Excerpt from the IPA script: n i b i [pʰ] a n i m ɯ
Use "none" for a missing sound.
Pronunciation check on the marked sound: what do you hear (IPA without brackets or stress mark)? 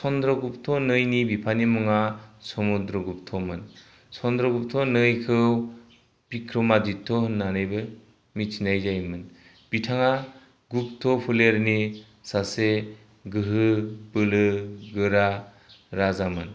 pʰ